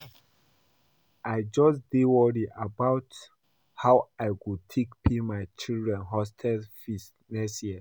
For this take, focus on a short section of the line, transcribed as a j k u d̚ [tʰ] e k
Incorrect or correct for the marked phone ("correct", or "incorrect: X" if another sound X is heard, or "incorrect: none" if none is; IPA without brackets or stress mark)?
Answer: correct